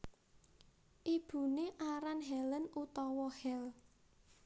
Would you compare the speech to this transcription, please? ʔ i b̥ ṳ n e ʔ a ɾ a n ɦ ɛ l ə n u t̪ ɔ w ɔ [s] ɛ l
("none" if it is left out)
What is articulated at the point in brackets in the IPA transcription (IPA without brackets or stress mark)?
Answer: h